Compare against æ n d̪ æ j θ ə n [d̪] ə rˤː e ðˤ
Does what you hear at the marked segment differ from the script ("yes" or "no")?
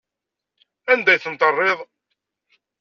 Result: yes